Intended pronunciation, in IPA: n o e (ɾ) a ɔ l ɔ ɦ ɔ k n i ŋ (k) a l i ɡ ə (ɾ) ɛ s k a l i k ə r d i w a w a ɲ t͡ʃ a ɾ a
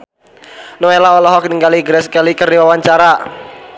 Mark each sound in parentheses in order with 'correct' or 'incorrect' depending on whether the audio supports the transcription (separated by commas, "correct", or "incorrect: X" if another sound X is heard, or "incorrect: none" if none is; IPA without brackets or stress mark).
incorrect: l, incorrect: ɡ, correct